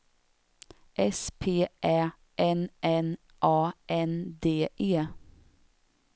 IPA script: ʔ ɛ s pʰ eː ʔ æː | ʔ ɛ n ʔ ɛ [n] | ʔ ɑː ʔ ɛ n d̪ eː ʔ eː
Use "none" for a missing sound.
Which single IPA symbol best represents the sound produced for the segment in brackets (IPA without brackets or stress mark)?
n